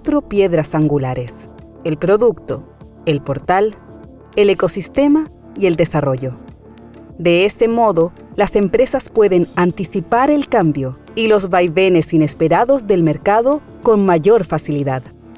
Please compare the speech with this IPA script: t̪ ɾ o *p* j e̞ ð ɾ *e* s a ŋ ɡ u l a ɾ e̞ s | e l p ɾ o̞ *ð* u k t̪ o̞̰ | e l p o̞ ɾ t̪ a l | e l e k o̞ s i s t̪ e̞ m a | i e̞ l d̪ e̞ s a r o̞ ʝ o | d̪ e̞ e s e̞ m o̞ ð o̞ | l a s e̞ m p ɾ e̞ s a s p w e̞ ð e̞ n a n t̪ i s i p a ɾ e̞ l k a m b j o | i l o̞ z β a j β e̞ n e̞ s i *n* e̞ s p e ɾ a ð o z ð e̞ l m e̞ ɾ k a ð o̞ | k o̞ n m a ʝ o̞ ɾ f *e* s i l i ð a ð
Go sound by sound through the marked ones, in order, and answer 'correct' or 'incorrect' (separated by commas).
correct, incorrect, correct, correct, incorrect